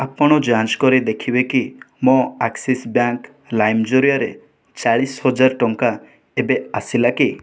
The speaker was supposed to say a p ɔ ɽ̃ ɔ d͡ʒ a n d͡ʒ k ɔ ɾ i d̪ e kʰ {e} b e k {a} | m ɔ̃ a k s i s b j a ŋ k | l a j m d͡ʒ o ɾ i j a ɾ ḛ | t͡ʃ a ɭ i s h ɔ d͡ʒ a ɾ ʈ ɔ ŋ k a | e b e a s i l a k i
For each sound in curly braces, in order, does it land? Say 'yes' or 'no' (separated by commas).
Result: no, no